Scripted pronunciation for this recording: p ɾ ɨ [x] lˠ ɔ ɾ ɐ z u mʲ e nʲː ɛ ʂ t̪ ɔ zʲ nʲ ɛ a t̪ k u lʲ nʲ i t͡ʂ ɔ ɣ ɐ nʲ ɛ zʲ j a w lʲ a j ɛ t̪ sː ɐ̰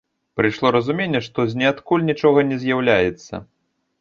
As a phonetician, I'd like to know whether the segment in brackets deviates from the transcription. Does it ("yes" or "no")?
yes